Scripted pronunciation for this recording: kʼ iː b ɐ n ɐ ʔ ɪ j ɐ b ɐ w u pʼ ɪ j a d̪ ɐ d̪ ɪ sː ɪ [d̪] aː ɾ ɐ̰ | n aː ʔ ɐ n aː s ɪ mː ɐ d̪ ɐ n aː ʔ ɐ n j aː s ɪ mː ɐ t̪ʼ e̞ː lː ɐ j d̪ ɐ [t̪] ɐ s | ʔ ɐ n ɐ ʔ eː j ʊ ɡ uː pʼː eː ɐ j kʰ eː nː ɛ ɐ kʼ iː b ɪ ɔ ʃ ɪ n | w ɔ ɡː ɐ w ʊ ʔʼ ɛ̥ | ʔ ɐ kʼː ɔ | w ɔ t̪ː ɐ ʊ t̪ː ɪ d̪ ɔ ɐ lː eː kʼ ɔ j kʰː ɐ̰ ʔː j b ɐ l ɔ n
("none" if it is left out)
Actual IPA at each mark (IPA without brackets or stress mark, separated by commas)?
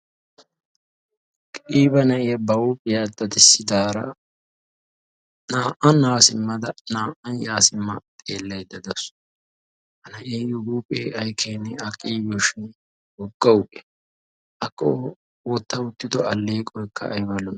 d̪, d̪